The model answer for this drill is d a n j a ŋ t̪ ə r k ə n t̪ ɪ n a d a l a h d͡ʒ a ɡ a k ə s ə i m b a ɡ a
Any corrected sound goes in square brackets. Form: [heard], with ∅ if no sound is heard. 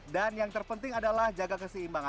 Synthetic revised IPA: d a n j a ŋ t̪ ə r [p] ə n t̪ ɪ [ŋ] a d a l a h d͡ʒ a ɡ a k ə s ə i m b a [ŋ] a